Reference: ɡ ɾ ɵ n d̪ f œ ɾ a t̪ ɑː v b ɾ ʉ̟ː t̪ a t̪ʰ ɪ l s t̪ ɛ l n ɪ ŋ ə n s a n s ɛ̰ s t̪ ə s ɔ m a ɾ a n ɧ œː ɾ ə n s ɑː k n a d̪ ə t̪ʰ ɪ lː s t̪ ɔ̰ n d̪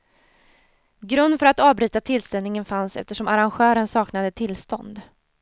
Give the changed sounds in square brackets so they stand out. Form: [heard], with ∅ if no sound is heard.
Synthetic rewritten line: ɡ ɾ ɵ n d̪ f œ ɾ a t̪ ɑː v b ɾ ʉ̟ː t̪ a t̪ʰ ɪ l s t̪ ɛ l n ɪ ŋ ə n [f] a n s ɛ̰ [f] t̪ ə [ʂ] ɔ m a ɾ a n ɧ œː ɾ ə n s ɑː k n a d̪ ə t̪ʰ ɪ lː s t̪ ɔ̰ n d̪